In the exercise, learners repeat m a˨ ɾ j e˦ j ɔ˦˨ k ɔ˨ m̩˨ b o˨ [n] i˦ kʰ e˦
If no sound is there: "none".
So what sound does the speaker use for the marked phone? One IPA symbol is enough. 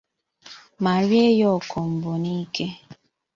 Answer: n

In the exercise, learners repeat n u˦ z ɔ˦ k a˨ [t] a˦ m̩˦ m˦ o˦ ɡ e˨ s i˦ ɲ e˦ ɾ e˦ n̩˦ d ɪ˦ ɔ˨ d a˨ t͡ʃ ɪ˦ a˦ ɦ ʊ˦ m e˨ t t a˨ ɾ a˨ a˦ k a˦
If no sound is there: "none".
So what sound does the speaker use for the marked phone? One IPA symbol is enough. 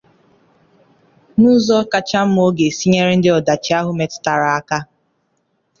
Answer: t͡ʃ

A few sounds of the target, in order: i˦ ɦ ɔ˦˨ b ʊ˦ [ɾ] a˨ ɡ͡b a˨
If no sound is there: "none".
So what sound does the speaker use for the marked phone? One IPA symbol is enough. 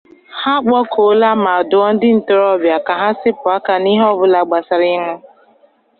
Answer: l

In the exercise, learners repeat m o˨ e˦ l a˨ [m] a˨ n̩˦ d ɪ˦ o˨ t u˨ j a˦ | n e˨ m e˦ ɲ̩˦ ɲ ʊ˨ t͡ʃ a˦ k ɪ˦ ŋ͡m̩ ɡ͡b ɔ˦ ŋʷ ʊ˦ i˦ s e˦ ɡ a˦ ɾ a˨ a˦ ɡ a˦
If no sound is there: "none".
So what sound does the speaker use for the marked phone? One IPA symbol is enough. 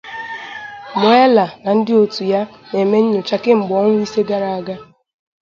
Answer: n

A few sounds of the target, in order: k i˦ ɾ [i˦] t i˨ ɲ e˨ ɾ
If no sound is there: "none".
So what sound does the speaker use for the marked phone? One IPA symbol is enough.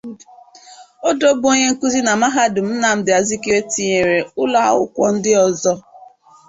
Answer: e˦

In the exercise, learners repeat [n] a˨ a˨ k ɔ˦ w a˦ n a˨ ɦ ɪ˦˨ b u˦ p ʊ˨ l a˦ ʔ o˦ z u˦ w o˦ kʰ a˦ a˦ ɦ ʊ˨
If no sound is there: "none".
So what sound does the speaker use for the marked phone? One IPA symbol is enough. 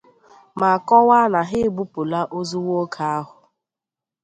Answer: m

